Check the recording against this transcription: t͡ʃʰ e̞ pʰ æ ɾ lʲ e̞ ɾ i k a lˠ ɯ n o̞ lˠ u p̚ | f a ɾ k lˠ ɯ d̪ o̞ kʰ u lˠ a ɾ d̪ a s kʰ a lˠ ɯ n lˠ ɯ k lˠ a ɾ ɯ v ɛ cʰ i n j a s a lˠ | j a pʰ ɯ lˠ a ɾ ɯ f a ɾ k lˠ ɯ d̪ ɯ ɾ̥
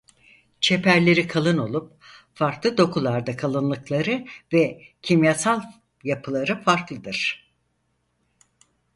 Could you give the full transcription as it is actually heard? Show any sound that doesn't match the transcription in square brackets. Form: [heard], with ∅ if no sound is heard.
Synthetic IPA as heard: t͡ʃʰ e̞ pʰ æ ɾ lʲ e̞ ɾ i [kʰ] a lˠ ɯ n o̞ lˠ u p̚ | f a ɾ k lˠ ɯ d̪ o̞ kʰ u lˠ a ɾ d̪ a [∅] kʰ a lˠ ɯ n lˠ ɯ k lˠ a ɾ ɯ v ɛ cʰ i [m] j a s a lˠ | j a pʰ ɯ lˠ a ɾ ɯ f a ɾ k lˠ ɯ d̪ ɯ ɾ̥